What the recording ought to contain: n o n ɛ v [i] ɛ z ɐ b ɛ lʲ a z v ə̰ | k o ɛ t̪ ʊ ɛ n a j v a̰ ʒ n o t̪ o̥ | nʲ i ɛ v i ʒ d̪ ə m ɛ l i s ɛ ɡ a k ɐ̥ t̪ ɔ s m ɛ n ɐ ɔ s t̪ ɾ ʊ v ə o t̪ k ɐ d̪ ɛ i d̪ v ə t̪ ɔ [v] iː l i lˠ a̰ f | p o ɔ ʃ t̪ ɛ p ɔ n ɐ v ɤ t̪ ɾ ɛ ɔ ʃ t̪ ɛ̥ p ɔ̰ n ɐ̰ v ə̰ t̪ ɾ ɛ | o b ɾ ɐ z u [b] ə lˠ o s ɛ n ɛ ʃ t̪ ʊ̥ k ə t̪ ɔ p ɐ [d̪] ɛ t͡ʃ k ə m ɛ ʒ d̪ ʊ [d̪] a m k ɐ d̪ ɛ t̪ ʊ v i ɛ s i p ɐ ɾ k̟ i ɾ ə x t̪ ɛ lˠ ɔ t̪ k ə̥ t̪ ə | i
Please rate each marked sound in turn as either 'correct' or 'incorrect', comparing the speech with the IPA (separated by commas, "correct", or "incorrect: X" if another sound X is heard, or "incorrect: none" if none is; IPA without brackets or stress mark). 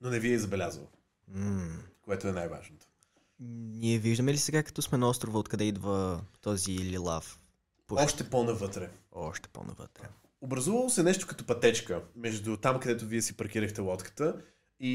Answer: correct, incorrect: z, incorrect: v, incorrect: t̪, incorrect: t̪